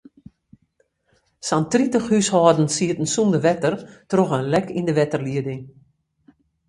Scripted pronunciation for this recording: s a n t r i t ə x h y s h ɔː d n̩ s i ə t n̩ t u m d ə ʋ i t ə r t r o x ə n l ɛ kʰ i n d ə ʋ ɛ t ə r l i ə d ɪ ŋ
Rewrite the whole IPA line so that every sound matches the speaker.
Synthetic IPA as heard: s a n t r i t ə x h y s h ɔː d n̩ s i ə t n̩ s u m d ə ʋ ɛ t ə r t r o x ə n l ɛ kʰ i n d ə ʋ ɛ t ə r l i ə d ɪ ŋ